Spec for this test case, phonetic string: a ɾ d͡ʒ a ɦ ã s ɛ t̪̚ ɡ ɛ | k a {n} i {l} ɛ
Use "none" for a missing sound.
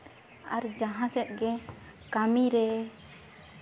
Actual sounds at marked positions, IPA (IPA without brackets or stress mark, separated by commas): m, ɾ